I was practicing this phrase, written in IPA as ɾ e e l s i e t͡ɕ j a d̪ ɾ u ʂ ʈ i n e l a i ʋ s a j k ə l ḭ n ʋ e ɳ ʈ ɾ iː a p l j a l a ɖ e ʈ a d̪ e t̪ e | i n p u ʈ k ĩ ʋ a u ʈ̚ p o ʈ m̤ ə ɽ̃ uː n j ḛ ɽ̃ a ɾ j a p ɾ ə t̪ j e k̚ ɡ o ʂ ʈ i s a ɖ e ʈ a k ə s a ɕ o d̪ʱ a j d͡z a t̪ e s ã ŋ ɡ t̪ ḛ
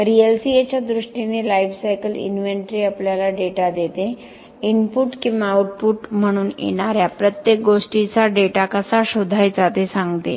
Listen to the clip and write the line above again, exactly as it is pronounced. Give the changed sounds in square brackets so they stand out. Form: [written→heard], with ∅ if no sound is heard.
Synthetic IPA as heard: ɾ [e→i] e l s i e t͡ɕ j a d̪ ɾ u ʂ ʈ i n e l a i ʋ s a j k ə l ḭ n ʋ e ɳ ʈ ɾ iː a p l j a l a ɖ e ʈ a d̪ e t̪ e | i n p u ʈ k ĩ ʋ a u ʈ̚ p [o→u] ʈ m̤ ə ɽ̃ uː n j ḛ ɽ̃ a ɾ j a p ɾ ə t̪ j e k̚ ɡ o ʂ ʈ i [s→t͡s] a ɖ e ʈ a k ə s a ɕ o d̪ʱ a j d͡z a t̪ e s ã ŋ ɡ t̪ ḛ